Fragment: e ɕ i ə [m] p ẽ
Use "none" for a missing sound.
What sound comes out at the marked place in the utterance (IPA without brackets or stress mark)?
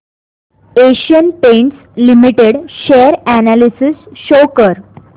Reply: n